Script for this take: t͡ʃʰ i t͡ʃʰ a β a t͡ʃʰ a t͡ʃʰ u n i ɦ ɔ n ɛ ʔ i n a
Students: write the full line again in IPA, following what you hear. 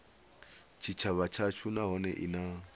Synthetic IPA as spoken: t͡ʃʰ i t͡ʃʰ a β a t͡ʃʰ a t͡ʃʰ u n a ɦ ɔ n ɛ ʔ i n a